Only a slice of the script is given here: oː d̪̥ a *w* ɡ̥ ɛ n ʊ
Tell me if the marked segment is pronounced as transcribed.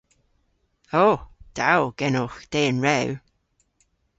yes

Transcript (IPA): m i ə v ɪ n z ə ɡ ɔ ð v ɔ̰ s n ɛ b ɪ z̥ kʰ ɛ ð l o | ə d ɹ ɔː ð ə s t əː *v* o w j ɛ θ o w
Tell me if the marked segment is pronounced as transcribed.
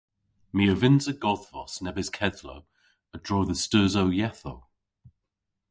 no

